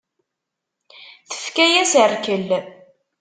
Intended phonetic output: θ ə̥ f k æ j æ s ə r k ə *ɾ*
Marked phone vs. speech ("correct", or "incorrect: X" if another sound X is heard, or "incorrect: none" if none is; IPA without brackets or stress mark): incorrect: l